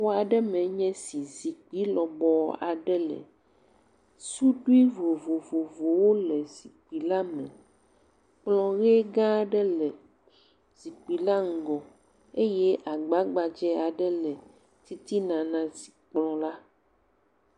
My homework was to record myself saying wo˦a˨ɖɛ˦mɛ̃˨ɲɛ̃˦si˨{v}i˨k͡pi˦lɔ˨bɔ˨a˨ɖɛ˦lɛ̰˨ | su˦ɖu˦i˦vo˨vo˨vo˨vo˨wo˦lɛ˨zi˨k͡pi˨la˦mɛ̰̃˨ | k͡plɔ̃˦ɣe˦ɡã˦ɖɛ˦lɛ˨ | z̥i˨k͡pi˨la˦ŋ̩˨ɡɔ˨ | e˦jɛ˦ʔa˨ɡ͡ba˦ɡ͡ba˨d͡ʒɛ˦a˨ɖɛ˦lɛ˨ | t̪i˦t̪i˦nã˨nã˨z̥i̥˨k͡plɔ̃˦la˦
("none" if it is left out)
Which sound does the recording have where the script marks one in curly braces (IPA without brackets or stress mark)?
z